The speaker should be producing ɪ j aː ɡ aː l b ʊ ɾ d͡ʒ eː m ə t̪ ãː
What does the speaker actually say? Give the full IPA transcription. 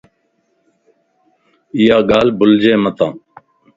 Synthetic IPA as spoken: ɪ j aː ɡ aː l b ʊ l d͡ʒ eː m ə t̪ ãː